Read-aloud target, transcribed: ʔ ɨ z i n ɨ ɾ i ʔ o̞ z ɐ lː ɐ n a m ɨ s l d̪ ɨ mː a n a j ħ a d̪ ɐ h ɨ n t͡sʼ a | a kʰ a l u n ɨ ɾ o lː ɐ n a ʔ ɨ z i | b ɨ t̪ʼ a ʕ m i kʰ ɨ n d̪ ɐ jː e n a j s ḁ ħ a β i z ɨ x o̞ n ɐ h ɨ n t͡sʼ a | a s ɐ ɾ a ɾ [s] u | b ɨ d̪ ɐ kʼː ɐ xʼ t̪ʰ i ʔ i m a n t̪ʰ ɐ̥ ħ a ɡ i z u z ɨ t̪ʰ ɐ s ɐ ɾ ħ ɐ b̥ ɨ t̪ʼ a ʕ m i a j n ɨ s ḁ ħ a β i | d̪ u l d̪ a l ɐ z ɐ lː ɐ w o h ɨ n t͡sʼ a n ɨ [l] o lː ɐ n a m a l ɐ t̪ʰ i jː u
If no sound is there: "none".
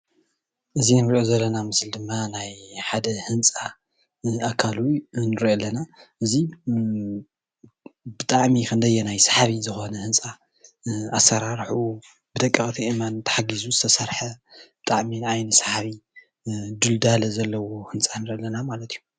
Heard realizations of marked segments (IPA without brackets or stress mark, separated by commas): ħ, ɾ